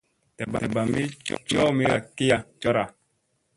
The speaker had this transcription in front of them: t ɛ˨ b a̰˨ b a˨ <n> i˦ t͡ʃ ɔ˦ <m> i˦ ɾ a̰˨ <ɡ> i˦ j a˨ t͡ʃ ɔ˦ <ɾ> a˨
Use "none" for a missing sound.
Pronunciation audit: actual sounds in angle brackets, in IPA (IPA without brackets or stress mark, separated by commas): m, m, k, ɾ